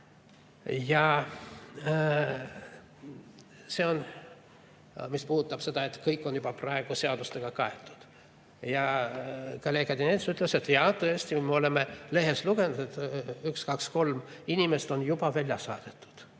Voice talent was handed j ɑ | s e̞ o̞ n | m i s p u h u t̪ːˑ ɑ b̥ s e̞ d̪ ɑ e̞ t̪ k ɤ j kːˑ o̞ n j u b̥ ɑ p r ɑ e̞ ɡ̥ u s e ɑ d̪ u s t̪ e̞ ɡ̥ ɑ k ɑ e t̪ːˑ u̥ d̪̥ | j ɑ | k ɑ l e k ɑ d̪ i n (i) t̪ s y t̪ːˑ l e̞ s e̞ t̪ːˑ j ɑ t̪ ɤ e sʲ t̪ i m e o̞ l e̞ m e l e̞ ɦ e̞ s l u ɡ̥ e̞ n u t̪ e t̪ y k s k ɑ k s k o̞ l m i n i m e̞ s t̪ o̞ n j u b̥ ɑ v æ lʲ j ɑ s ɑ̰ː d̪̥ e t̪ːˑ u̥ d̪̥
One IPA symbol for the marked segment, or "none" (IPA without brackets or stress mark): e